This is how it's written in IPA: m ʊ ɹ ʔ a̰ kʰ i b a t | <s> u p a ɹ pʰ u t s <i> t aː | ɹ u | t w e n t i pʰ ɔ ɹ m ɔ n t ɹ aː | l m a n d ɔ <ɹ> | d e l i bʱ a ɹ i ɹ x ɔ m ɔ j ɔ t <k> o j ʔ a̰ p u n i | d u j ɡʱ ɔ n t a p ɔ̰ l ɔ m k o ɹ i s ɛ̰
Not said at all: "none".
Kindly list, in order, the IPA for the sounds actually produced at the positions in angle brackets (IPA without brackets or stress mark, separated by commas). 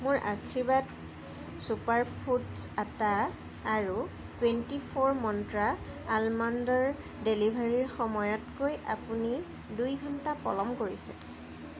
s, a, ɹ, k